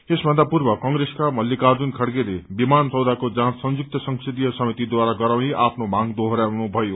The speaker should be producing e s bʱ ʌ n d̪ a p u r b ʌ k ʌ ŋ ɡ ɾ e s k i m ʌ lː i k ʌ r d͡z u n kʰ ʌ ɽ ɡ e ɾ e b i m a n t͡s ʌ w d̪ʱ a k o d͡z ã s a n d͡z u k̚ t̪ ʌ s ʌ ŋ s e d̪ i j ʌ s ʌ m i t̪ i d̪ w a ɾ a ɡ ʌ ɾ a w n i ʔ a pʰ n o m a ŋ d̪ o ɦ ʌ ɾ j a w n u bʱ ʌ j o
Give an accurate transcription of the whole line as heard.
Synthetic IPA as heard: e s bʱ ʌ n d̪ a p u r b ʌ k ʌ ŋ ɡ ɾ e s k a m ʌ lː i k a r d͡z u n kʰ ʌ ɽ ɡ e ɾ e b i m a n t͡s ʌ w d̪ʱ a k o d͡z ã s ʌ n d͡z u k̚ t̪ ʌ s ʌ ŋ s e d̪ i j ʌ s ʌ m i t̪ i d̪ w a ɾ a ɡ ʌ ɾ a w n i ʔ a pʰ n o m a ŋ d̪ o ɦ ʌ ɾ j a w n u bʱ ʌ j o